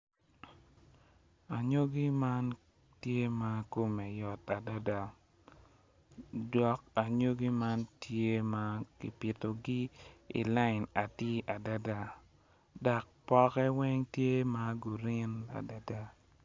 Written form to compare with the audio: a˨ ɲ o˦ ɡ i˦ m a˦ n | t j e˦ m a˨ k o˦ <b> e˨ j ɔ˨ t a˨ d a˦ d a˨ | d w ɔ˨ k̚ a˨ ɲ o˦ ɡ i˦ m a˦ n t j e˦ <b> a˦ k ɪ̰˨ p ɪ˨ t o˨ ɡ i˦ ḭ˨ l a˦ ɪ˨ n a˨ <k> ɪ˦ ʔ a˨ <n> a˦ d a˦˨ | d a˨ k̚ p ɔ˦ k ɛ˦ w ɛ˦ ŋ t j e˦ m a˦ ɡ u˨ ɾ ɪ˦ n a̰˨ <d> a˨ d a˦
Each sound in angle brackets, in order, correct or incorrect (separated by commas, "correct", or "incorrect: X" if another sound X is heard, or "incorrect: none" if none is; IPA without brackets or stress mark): incorrect: m, incorrect: m, incorrect: t, incorrect: d, correct